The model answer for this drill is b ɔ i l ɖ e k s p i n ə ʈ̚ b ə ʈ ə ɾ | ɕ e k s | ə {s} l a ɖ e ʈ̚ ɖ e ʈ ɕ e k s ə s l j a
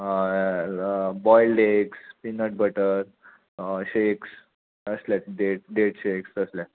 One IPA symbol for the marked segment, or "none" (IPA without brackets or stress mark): s